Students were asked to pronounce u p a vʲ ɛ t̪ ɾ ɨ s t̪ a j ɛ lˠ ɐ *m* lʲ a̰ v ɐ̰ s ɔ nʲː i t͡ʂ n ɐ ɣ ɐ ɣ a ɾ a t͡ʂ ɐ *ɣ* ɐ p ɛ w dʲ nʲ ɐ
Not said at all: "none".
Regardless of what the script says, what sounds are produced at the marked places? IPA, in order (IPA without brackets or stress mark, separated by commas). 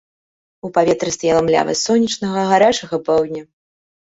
m, ɣ